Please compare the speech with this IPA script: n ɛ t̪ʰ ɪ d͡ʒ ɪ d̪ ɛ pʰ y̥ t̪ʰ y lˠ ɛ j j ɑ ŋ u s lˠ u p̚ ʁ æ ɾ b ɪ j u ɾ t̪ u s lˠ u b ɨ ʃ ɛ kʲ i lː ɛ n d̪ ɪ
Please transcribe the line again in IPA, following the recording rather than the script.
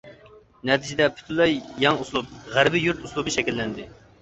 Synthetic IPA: n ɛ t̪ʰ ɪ d͡ʒ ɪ d̪ ɛ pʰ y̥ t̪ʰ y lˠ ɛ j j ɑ ŋ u s lˠ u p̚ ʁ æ ɾ b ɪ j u ɾ t̪ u s lˠ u b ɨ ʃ ɛ kʲ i lː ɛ n d̪ ɪ